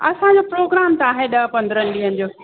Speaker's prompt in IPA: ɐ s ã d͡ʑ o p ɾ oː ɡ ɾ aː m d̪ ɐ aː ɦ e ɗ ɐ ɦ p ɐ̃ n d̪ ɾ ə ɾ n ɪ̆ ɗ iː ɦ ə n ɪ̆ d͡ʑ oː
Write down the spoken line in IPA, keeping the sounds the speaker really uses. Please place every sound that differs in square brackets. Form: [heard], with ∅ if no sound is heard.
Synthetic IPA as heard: ɐ s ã d͡ʑ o p ɾ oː ɡ ɾ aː m [t̪] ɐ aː ɦ e ɗ ɐ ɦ p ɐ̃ n d̪ ɾ ə [∅] n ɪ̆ ɗ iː ɦ ə n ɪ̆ d͡ʑ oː